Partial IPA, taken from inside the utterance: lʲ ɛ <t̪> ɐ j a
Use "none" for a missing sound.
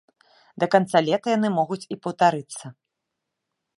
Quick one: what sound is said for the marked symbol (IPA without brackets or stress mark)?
t̪